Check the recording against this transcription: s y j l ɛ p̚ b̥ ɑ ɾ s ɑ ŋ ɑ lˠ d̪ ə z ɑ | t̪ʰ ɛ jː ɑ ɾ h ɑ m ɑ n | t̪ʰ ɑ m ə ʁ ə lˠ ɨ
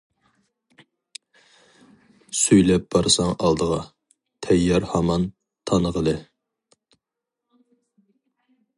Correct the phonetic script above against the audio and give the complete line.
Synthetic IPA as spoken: s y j l ɛ p̚ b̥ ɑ ɾ s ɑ ŋ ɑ lˠ d̪ ə ʁ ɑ | t̪ʰ ɛ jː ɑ ɾ h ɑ m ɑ n | t̪ʰ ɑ n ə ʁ ə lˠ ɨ